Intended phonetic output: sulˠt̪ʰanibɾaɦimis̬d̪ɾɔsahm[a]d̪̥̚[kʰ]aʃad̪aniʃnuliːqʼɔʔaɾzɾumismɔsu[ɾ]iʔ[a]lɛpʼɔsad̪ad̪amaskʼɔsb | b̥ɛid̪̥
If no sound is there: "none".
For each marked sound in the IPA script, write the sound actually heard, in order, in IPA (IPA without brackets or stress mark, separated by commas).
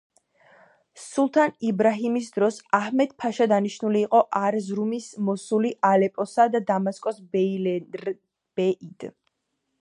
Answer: ɛ, pʰ, l, a